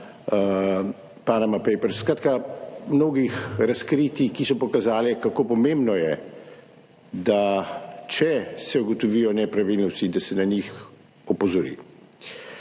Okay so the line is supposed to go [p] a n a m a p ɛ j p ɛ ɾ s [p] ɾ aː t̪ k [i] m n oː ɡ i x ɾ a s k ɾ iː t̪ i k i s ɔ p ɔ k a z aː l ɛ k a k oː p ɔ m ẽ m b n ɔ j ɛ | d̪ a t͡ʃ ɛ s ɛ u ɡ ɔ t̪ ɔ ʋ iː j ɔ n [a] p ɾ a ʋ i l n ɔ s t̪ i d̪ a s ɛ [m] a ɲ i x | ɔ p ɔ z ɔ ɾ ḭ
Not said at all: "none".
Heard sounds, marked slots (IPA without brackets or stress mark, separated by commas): p, k, a, ɛ, n